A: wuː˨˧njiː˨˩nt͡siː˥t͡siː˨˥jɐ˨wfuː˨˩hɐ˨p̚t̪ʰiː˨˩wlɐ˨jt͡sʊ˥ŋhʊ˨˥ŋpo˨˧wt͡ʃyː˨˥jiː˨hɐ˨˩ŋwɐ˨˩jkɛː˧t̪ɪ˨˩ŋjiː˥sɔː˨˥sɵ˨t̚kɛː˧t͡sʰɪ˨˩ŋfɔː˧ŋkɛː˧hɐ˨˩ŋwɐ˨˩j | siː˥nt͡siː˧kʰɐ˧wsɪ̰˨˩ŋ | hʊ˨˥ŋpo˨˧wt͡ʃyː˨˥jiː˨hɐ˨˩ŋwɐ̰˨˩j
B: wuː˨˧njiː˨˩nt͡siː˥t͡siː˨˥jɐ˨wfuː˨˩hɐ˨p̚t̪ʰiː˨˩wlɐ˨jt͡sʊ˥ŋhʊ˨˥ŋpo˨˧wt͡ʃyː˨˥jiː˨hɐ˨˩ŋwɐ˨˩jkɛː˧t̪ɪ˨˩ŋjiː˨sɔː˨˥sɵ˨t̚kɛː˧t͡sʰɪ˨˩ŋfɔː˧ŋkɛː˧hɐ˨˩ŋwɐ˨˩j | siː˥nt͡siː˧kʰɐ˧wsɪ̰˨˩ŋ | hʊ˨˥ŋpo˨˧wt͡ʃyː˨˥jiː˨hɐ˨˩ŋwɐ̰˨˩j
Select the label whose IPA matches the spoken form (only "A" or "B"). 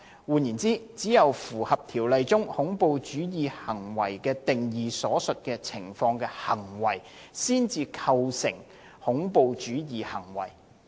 B